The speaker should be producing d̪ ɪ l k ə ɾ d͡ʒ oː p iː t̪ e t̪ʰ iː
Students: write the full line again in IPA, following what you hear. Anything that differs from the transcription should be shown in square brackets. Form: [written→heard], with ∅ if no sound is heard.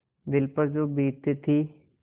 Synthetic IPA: d̪ ɪ l [k→p] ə ɾ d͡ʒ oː [p→b] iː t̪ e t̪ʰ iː